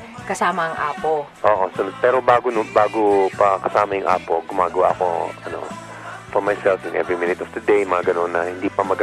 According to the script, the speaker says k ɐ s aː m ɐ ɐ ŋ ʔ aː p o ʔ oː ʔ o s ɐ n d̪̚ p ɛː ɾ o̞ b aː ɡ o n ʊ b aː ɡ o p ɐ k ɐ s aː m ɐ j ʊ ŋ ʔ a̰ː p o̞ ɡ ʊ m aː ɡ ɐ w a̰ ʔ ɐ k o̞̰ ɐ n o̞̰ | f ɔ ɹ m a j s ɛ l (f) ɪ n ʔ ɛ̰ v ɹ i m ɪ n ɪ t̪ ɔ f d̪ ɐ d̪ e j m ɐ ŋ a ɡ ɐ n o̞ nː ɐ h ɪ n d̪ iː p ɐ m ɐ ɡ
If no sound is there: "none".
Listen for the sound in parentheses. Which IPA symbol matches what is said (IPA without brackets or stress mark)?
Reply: f